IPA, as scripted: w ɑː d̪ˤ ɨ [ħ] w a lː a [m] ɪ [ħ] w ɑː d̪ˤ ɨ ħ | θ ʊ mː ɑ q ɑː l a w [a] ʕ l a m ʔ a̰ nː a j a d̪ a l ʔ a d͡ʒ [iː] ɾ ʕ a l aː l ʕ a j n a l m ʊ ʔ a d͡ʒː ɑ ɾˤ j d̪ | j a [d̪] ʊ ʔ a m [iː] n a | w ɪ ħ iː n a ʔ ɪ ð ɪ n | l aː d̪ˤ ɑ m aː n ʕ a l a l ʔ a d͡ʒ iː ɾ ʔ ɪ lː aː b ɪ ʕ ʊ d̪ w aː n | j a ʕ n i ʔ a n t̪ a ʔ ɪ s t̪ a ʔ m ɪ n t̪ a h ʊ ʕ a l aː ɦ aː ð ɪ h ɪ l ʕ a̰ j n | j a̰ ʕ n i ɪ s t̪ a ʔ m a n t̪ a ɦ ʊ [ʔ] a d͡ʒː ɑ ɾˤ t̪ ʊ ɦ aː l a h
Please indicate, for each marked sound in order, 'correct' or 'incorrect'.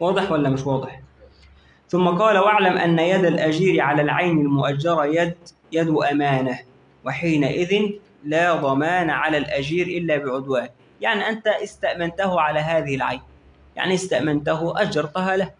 correct, correct, incorrect: ʃ, correct, correct, correct, incorrect: aː, correct

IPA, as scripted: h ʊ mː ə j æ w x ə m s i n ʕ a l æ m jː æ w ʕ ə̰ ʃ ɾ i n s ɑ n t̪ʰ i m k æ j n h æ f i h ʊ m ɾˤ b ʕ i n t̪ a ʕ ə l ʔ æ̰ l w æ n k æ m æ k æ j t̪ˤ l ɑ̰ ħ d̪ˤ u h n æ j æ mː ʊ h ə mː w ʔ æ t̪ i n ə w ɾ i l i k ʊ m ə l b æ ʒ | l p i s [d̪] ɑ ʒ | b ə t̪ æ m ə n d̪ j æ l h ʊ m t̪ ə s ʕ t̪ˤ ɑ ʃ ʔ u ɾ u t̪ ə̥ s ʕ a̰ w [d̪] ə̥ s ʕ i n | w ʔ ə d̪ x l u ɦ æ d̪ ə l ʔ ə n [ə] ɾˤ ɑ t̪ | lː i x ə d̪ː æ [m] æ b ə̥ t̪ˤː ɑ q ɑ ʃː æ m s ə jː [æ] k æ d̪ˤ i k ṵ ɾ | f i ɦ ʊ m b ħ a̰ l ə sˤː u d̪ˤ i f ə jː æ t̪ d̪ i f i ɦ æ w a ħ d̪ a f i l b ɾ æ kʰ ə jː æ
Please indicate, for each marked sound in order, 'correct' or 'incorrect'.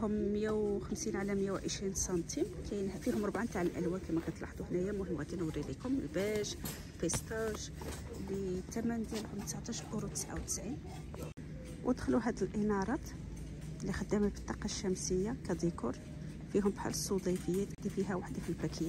incorrect: t̪, incorrect: t̪, incorrect: ɑ, correct, incorrect: a

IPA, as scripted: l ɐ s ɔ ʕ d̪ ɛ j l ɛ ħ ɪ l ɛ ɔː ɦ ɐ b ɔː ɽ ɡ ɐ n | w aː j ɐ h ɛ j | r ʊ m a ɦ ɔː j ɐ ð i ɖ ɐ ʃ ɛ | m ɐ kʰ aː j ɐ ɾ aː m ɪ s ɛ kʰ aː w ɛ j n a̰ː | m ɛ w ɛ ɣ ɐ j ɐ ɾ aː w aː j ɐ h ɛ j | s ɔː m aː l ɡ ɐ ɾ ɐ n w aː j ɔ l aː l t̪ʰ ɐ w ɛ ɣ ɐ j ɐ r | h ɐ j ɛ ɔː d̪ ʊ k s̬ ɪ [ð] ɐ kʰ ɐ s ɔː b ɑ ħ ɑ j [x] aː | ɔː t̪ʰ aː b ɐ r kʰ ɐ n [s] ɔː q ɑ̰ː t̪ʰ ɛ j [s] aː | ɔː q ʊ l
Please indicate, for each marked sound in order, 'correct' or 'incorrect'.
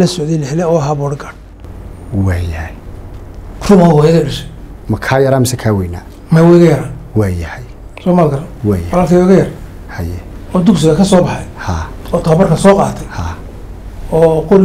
incorrect: ɣ, incorrect: h, correct, incorrect: h

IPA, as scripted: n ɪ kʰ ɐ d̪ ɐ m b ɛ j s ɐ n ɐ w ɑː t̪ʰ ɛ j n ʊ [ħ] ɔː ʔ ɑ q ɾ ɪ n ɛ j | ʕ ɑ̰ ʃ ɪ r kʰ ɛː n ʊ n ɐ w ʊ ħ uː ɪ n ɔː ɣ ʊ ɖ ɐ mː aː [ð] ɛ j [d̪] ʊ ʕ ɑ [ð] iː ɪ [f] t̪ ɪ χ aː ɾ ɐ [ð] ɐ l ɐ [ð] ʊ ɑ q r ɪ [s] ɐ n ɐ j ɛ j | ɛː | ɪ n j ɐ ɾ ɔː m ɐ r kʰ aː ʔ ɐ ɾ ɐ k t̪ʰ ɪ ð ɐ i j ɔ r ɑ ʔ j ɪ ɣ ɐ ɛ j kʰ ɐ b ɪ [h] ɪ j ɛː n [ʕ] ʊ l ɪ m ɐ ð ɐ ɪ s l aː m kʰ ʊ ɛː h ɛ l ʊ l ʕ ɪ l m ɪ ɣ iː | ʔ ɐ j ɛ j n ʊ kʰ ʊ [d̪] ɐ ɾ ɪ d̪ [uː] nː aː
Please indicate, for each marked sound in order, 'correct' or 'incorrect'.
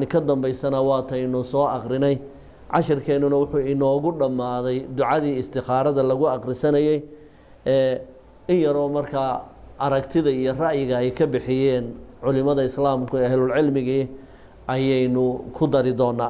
incorrect: s, correct, correct, correct, incorrect: s, correct, incorrect: ɣ, correct, incorrect: ħ, correct, correct, incorrect: ɔː

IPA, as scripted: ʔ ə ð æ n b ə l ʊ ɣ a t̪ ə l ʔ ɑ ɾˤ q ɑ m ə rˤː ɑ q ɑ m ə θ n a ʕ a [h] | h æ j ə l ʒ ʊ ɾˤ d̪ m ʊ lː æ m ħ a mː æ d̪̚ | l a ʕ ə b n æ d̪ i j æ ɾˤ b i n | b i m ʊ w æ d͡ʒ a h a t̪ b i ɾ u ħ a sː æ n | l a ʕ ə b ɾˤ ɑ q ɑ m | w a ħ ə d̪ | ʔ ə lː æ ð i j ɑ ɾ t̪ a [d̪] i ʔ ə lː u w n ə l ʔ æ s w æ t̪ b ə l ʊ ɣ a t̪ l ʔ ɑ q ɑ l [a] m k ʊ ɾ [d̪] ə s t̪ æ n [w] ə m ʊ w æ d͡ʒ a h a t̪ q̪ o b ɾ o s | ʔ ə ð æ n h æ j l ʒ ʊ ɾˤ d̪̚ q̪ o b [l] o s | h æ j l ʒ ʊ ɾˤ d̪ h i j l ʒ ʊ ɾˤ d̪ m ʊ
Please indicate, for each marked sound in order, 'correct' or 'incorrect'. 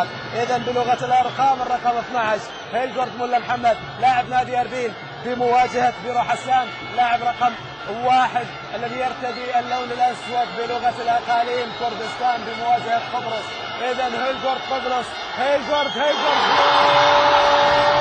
incorrect: ʃ, correct, incorrect: i, correct, incorrect: b, incorrect: ɾ

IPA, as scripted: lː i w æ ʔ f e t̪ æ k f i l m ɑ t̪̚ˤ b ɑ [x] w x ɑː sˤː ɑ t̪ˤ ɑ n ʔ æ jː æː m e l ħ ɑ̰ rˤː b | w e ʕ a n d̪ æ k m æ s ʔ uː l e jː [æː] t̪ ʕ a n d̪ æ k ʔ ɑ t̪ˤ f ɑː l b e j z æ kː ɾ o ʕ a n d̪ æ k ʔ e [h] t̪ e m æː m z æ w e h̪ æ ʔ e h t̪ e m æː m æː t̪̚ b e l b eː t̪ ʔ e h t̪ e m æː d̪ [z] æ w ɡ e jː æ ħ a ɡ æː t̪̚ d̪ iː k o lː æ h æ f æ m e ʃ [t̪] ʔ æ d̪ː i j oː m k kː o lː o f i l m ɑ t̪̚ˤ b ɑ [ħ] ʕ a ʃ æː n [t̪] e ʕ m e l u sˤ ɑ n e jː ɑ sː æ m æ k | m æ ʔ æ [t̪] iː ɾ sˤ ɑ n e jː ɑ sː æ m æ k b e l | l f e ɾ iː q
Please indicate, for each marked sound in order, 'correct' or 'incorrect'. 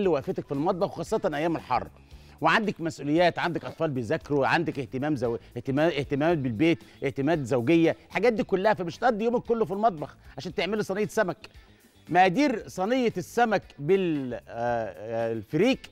correct, correct, correct, correct, correct, incorrect: x, correct, incorrect: d̪

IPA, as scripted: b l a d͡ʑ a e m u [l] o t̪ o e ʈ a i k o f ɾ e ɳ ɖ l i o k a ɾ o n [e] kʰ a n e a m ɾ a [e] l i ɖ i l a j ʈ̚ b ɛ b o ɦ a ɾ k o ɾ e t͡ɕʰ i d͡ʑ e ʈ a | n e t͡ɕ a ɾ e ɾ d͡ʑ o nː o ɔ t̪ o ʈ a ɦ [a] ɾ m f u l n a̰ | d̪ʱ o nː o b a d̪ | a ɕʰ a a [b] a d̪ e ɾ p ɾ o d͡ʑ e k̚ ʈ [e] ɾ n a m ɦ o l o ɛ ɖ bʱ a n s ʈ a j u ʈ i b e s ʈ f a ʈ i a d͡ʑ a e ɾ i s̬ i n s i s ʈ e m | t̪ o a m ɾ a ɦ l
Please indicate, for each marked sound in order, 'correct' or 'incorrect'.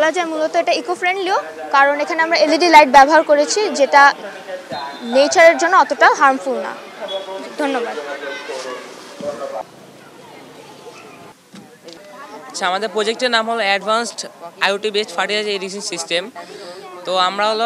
correct, correct, correct, correct, incorrect: m, correct

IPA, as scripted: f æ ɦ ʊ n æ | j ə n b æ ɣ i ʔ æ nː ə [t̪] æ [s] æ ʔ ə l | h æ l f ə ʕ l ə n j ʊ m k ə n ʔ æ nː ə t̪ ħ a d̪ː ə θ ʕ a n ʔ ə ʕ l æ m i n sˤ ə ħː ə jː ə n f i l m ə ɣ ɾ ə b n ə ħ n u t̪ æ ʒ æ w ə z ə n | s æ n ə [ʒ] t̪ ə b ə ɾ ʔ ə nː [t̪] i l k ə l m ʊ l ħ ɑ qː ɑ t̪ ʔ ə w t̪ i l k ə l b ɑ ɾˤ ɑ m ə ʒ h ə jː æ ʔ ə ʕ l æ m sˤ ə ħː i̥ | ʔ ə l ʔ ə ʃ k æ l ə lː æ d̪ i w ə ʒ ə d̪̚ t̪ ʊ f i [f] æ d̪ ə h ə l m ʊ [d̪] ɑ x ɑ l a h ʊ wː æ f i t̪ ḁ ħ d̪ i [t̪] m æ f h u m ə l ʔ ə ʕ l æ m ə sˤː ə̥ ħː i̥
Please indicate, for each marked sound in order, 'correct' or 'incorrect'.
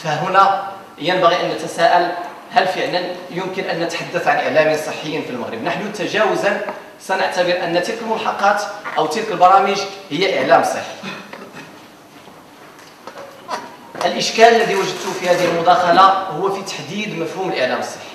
correct, correct, incorrect: ʕ, correct, incorrect: h, correct, incorrect: d̪

